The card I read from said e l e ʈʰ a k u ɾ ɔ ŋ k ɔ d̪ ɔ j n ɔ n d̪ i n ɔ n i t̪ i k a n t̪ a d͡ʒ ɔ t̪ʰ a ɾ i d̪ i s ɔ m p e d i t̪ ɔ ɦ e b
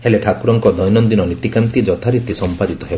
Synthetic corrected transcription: e l e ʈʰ a k u ɾ ɔ ŋ k ɔ d̪ ɔ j n ɔ n d̪ i n ɔ n i t̪ i k a n t̪ i d͡ʒ ɔ t̪ʰ a ɾ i t̪ i s ɔ m p a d i t̪ ɔ ɦ e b